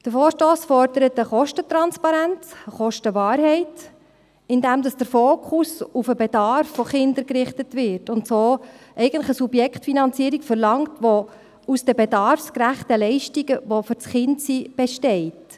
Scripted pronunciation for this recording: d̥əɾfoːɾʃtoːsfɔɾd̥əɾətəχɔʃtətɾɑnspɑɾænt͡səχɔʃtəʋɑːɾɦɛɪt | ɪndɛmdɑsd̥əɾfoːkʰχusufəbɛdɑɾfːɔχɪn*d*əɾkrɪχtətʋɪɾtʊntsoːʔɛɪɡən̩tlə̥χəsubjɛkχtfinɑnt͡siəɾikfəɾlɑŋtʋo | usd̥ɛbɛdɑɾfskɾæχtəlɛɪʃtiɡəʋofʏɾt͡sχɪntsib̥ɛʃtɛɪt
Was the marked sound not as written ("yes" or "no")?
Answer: no